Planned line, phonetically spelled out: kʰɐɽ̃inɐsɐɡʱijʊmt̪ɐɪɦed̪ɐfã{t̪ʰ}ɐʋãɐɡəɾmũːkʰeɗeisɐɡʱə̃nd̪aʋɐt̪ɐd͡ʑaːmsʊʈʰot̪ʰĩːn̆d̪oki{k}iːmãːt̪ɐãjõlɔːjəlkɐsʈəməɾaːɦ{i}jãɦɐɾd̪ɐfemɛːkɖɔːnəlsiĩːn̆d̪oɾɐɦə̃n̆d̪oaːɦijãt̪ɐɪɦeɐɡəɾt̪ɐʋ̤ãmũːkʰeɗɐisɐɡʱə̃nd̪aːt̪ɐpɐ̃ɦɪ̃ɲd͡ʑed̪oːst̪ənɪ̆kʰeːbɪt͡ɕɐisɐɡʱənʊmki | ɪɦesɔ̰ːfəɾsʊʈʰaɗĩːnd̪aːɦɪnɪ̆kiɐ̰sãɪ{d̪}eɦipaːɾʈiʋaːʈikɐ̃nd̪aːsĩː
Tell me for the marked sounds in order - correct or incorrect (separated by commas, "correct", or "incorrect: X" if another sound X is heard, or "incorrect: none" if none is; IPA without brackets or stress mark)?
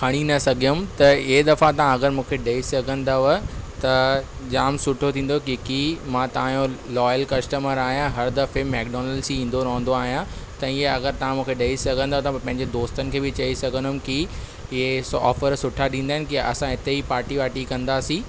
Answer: incorrect: t̪, correct, correct, incorrect: t̪